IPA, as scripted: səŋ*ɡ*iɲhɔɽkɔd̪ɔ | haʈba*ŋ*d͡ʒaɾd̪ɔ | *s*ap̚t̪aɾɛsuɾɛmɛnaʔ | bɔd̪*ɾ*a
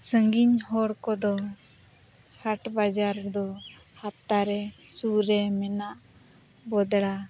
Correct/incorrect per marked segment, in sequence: correct, incorrect, incorrect, incorrect

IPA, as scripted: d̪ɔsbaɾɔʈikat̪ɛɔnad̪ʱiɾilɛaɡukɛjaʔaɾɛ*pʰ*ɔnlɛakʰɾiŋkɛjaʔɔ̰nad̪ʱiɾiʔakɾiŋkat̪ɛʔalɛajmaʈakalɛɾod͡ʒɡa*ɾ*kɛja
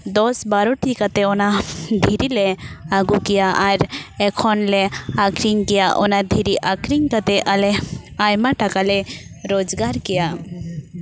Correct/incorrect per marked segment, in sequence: incorrect, correct

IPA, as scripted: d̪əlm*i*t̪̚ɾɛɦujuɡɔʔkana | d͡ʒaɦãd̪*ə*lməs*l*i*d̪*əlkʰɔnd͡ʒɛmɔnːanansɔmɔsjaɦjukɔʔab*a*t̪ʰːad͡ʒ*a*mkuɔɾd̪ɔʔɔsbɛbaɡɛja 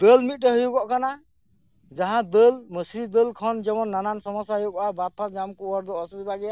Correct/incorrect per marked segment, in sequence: correct, correct, incorrect, correct, correct, correct

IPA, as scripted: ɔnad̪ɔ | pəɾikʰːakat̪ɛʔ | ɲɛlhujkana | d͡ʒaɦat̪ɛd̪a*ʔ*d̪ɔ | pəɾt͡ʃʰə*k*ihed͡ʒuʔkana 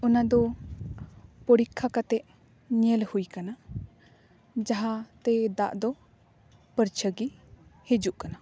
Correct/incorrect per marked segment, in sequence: correct, incorrect

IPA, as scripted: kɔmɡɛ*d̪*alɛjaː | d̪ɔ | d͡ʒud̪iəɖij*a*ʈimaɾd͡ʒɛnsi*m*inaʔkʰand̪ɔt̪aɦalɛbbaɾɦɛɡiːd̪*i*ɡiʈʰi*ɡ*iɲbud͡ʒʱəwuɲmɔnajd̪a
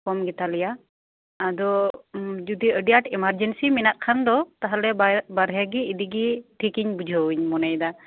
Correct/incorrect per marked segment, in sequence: incorrect, correct, correct, correct, incorrect

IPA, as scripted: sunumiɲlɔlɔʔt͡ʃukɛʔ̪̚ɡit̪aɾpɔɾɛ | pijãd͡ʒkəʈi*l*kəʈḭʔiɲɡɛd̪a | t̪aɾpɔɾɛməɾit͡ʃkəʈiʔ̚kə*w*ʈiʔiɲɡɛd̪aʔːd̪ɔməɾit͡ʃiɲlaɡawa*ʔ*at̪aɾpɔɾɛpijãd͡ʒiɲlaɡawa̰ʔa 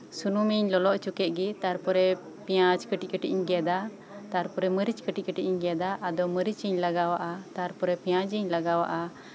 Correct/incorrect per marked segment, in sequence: incorrect, incorrect, correct

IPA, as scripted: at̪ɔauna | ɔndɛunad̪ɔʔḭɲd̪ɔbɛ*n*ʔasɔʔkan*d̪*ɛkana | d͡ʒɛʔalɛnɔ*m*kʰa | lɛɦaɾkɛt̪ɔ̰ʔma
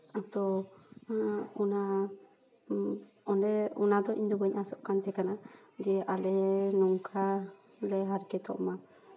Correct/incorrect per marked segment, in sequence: incorrect, incorrect, incorrect

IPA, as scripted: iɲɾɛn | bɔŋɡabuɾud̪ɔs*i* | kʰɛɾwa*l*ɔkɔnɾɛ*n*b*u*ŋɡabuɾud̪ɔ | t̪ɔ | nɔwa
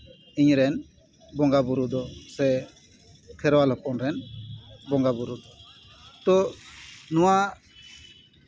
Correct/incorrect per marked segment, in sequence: incorrect, correct, correct, incorrect

